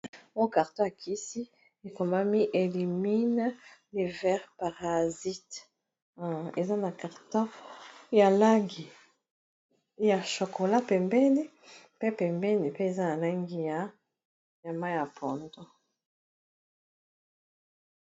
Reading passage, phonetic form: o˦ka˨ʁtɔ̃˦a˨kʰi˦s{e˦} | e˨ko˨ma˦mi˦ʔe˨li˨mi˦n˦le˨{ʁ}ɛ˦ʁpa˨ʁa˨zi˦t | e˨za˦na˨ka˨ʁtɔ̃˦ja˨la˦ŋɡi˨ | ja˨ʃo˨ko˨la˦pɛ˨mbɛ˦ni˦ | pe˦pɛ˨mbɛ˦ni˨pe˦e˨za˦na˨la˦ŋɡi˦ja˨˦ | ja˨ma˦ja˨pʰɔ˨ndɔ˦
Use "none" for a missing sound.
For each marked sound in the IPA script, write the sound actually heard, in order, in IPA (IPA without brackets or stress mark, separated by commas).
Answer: i˦, v